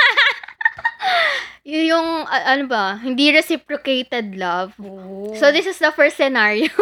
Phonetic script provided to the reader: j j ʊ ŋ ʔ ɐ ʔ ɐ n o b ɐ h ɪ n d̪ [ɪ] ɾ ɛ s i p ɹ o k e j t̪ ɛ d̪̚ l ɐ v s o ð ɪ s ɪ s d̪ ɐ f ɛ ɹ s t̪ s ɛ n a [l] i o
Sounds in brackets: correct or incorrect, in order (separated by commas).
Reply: incorrect, incorrect